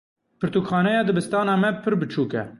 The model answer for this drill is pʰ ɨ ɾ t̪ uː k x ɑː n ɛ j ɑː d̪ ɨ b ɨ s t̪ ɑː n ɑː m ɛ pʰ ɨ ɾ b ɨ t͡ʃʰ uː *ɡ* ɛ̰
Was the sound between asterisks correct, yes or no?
no